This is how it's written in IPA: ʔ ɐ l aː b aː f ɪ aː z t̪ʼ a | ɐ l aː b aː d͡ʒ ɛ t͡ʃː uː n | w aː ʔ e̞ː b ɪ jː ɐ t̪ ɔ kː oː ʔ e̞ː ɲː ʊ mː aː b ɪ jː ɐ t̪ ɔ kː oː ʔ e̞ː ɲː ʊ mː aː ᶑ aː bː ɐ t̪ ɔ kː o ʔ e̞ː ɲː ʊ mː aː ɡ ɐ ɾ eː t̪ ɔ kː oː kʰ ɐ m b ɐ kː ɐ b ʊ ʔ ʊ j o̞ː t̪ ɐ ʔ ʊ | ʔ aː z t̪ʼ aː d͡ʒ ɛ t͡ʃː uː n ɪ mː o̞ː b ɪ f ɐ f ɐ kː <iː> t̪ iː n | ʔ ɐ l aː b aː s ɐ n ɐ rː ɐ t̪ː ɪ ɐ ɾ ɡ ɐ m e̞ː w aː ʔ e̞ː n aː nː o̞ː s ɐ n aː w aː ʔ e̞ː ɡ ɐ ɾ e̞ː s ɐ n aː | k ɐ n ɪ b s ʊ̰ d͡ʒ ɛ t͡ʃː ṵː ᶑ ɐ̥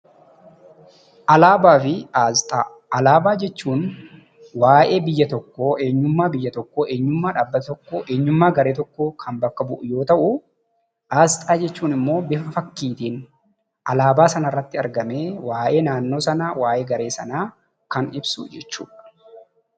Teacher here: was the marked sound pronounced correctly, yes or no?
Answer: yes